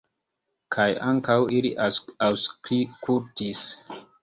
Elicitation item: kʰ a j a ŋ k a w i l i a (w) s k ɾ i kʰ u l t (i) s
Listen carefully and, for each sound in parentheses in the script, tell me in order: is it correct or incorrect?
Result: correct, correct

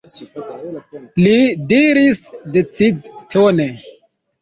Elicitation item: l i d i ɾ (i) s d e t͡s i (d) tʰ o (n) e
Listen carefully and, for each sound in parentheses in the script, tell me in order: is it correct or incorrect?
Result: correct, correct, correct

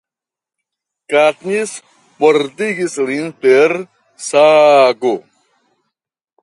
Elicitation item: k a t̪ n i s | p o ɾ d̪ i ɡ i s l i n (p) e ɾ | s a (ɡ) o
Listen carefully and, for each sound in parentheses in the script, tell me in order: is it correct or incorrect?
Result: correct, correct

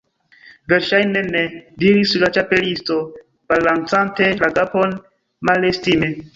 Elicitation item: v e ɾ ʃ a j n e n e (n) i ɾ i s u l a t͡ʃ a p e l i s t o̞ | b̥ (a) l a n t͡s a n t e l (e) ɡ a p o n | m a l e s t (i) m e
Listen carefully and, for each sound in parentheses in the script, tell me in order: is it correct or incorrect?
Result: incorrect: d, correct, incorrect: a, correct

